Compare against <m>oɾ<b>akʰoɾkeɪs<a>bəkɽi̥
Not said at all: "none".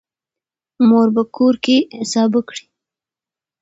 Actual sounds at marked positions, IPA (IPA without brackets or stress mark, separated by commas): m, b, ɑ